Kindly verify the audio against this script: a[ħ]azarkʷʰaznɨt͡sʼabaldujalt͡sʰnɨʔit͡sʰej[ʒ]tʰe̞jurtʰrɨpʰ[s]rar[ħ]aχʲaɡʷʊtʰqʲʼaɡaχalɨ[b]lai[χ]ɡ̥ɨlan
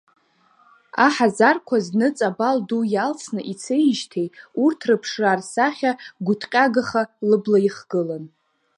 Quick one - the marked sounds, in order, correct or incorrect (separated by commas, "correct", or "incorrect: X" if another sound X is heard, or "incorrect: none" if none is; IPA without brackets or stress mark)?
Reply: correct, correct, incorrect: ʂ, incorrect: s, correct, correct